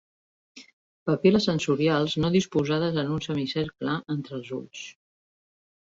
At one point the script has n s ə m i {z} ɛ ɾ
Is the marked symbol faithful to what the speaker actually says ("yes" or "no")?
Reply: no